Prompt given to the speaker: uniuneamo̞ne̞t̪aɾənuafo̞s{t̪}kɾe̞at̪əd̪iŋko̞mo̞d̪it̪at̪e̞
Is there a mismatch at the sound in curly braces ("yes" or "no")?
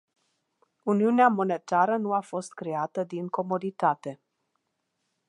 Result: no